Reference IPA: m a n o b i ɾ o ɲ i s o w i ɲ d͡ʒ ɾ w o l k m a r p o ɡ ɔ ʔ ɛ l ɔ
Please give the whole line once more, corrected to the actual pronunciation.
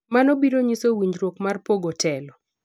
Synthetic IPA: m a n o b i ɾ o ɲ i s o w i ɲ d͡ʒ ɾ w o k m a r p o ɡ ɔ t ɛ l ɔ